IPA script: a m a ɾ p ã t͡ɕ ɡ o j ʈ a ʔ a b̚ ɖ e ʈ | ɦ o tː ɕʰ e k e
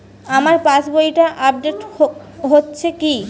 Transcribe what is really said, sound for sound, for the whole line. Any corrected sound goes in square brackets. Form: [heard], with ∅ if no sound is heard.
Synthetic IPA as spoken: a m a ɾ p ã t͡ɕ [b] o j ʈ a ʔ a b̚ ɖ e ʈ | ɦ o tː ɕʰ e k [i]